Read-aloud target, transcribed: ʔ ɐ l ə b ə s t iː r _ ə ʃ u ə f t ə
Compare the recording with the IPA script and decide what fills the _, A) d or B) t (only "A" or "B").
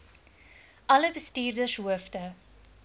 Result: A